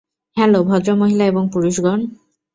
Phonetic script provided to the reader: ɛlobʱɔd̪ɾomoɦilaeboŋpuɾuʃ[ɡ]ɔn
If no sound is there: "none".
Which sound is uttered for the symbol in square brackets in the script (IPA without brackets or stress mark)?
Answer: ɡ